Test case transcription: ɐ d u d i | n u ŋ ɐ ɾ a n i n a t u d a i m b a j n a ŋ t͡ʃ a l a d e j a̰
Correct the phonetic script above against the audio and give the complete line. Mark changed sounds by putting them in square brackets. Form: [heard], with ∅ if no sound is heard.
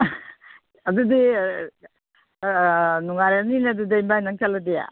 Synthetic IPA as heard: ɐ d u d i | n u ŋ [a] ɾ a n i n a [d] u d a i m b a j n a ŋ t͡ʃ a l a d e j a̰